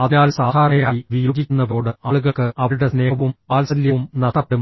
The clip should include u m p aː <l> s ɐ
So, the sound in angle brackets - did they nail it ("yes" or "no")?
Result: yes